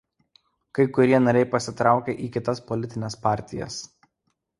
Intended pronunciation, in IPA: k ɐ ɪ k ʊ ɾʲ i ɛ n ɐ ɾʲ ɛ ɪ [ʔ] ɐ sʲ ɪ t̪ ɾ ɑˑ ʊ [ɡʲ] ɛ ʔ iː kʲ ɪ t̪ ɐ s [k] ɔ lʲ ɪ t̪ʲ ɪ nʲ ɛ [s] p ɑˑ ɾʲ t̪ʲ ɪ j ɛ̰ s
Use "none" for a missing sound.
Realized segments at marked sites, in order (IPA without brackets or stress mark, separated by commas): p, kʲ, p, s